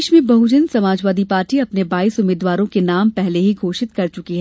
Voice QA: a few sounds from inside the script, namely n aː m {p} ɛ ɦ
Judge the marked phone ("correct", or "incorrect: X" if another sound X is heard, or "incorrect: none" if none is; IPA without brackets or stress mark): correct